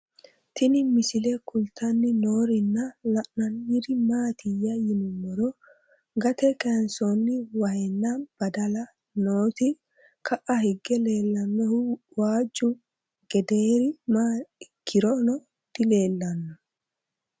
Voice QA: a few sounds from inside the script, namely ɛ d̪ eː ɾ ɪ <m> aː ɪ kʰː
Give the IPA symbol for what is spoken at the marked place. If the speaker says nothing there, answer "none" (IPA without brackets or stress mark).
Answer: m